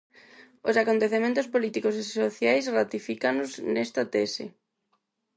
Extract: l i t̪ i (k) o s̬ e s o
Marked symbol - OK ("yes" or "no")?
yes